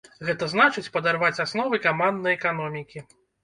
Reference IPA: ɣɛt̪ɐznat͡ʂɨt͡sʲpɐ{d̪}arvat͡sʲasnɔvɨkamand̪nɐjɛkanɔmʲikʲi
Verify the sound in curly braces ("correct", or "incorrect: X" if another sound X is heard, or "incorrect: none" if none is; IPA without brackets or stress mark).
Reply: correct